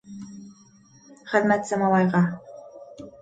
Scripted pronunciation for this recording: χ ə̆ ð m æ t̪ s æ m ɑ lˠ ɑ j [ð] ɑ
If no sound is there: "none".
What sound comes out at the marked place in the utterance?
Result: ʁ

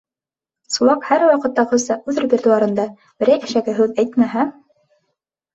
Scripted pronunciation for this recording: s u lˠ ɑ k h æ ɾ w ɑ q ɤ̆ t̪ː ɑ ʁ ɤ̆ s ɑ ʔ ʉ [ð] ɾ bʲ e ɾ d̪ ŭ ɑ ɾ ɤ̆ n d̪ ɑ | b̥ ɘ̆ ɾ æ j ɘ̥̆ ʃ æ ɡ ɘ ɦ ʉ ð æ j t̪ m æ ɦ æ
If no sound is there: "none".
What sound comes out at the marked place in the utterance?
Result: ð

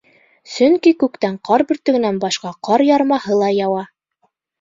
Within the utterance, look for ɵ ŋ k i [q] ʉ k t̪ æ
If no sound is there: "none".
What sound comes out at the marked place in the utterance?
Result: k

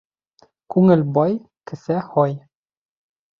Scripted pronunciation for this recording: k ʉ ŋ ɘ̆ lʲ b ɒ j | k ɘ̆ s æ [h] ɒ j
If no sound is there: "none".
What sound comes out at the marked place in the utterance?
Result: h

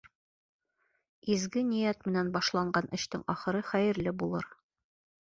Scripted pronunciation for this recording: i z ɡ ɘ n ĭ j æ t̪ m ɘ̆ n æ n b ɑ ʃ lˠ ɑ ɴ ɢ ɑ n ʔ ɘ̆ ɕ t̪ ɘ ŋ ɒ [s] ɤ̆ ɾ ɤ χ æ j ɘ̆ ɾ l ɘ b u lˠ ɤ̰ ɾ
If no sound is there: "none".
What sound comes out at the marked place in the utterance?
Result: χ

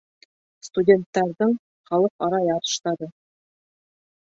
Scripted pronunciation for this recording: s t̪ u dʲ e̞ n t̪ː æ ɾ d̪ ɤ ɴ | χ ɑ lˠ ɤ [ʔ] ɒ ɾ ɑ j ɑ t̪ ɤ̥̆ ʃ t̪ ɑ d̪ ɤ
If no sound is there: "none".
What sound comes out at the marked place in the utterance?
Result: q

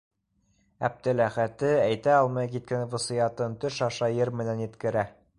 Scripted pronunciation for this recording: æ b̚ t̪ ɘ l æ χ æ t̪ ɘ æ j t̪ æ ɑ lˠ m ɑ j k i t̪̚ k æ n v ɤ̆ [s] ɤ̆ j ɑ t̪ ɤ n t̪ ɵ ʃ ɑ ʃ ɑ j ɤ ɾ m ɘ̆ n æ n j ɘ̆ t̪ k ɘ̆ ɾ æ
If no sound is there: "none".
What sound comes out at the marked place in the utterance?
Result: s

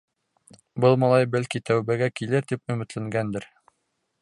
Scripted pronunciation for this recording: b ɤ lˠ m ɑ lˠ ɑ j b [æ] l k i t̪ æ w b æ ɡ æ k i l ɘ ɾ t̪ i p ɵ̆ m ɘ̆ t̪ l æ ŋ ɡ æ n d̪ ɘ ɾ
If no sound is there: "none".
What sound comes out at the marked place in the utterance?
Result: æ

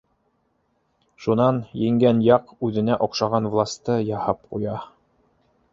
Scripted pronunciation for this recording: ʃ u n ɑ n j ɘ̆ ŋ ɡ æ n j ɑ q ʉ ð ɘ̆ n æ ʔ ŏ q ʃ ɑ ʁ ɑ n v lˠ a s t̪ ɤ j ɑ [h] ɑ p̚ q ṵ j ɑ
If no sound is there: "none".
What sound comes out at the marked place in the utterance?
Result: h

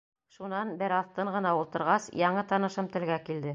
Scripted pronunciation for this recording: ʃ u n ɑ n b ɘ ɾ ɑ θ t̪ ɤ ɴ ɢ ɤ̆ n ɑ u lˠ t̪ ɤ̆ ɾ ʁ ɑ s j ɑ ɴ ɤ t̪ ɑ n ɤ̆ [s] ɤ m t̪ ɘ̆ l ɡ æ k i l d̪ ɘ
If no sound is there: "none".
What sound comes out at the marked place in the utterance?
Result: ʃ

